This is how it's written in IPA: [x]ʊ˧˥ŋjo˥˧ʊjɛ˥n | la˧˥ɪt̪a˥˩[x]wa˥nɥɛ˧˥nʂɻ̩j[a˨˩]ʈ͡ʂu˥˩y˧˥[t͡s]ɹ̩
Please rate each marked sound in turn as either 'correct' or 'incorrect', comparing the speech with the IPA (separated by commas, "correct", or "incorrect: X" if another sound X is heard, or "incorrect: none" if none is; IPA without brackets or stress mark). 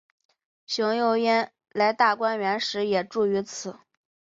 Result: incorrect: ɕ, incorrect: k, incorrect: ɛ˨˩, incorrect: t͡sʰ